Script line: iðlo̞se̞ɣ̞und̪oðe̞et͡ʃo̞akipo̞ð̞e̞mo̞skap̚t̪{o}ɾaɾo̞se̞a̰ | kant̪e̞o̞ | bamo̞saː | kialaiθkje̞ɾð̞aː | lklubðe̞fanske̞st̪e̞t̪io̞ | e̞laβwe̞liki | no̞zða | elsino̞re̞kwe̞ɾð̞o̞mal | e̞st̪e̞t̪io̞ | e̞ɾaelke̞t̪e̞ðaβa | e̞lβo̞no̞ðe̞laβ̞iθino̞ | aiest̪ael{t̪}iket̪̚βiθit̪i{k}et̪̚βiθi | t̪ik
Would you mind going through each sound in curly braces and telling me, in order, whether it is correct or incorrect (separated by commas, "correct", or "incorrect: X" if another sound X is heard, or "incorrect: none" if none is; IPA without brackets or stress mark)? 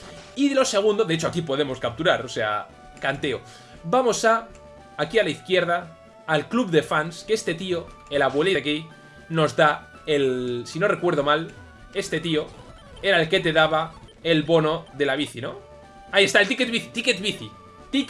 incorrect: u, correct, correct